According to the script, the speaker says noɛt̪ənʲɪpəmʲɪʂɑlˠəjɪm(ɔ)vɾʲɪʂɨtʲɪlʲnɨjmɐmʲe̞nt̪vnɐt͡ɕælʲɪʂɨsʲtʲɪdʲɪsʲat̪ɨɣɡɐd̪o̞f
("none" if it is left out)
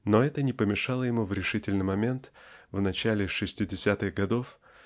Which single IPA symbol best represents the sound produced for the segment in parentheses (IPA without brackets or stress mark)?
u